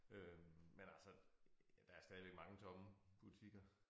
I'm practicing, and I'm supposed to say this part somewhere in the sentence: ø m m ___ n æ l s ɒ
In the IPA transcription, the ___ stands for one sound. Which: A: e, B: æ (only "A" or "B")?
A